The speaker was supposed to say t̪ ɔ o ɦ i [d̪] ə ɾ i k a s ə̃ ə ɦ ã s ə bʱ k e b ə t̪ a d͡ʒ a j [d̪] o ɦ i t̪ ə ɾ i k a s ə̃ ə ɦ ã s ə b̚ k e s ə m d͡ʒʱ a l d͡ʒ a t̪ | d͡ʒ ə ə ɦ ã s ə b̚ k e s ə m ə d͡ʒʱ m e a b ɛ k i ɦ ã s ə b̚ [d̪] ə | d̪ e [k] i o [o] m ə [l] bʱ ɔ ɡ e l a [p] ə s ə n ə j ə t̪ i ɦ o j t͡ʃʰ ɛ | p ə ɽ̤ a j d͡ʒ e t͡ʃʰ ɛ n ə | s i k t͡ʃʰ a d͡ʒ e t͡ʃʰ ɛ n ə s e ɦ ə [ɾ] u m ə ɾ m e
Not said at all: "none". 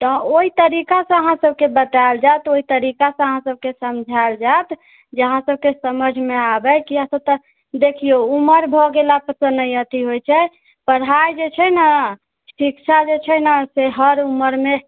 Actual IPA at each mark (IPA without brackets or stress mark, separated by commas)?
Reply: t̪, t̪, t̪, kʰ, u, ɾ, p, ɾ